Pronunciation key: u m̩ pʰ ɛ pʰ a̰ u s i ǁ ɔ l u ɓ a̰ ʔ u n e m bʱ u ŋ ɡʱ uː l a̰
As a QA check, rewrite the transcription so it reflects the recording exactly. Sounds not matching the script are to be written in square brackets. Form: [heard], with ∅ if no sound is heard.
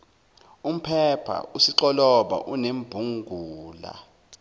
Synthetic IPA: u m̩ pʰ ɛ pʰ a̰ u s i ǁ ɔ l [ɔ] ɓ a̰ ʔ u n e m bʱ u ŋ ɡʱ uː l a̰